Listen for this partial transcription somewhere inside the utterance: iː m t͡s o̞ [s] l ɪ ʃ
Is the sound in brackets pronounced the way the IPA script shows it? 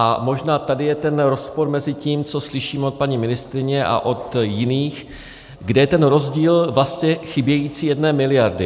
yes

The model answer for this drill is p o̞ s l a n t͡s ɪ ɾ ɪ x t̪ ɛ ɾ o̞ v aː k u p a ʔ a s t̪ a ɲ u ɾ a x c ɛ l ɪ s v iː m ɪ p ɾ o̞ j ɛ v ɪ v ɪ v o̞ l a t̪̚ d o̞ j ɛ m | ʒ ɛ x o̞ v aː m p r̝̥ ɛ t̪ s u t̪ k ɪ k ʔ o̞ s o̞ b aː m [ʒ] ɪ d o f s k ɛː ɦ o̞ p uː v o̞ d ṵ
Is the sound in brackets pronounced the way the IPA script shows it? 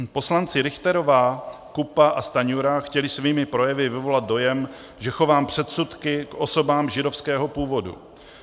yes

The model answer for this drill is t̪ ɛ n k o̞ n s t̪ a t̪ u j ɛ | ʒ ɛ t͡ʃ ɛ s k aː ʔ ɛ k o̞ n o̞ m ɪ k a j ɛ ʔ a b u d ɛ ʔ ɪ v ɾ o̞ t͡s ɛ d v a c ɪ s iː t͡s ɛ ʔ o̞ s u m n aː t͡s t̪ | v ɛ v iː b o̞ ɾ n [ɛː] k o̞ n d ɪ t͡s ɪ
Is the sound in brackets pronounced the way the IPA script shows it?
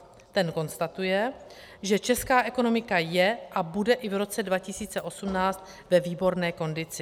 yes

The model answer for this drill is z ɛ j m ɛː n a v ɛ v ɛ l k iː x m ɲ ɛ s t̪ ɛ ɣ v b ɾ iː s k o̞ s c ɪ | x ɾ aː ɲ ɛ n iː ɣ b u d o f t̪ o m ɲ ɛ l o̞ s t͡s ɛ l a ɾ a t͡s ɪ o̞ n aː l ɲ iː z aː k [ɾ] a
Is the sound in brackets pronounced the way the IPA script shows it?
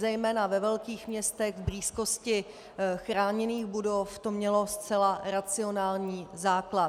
no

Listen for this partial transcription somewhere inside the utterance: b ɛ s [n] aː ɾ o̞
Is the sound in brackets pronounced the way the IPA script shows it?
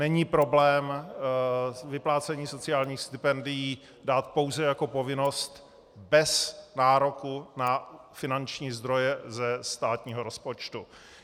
yes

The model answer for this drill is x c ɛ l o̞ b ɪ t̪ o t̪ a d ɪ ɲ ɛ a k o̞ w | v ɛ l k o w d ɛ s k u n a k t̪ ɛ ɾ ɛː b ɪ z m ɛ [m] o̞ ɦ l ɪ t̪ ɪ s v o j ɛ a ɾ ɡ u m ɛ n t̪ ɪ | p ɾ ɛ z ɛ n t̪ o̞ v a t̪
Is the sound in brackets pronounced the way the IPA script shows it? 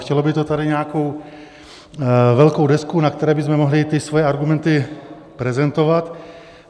yes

